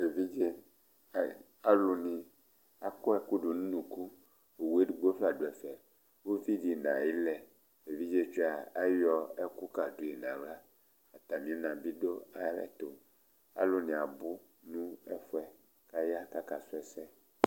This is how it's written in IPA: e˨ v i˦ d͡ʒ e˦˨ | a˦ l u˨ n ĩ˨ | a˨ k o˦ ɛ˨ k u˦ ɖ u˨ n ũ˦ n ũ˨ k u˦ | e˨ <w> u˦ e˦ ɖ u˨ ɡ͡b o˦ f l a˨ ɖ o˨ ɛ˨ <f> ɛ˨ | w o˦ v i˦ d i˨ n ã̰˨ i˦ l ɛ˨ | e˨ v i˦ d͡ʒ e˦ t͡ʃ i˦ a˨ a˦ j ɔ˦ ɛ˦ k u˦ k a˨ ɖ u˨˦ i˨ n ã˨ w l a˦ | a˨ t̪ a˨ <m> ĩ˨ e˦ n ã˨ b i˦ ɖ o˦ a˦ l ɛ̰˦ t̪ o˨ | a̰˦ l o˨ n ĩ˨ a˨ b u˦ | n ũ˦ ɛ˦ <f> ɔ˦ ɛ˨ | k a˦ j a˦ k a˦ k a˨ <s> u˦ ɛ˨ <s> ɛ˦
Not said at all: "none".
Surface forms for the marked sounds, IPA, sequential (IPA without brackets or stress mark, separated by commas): w, f, m, f, s, s